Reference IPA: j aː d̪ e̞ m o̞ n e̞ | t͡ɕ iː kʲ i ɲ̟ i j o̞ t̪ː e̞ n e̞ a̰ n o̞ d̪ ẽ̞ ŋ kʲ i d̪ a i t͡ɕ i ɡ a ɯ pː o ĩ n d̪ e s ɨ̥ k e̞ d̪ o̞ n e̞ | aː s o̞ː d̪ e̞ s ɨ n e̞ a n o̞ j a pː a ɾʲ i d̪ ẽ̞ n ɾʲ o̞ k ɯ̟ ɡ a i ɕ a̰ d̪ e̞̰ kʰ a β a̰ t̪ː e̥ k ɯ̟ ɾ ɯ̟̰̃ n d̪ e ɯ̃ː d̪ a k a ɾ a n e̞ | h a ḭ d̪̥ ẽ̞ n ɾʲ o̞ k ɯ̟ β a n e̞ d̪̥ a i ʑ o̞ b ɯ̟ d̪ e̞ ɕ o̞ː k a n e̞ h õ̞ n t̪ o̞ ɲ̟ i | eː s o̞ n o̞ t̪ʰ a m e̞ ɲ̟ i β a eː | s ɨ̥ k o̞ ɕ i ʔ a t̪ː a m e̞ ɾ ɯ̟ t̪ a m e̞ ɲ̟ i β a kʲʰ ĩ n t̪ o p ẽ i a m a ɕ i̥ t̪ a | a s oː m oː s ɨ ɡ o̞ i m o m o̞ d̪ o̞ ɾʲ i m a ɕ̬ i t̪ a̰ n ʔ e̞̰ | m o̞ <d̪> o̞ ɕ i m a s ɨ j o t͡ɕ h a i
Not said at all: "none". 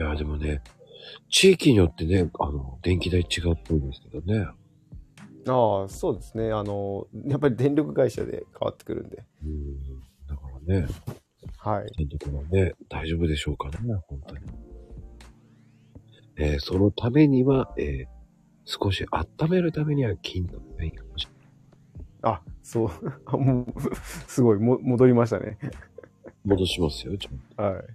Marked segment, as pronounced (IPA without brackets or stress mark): d̪